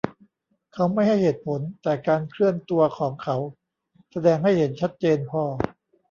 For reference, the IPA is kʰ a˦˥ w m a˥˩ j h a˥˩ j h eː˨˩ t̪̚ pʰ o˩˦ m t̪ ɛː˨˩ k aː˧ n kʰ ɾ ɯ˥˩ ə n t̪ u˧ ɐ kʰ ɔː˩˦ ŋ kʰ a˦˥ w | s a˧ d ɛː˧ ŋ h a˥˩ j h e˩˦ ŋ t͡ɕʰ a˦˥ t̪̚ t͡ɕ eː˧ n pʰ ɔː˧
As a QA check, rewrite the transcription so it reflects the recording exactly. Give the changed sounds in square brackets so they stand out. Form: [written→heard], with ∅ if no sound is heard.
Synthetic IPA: kʰ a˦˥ w m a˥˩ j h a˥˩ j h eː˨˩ t̪̚ pʰ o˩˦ [m→n] t̪ ɛː˨˩ k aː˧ n kʰ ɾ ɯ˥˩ ə n t̪ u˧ ɐ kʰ ɔː˩˦ ŋ kʰ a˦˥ w | s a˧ d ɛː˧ ŋ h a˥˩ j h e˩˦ [ŋ→n] t͡ɕʰ a˦˥ t̪̚ t͡ɕ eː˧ n pʰ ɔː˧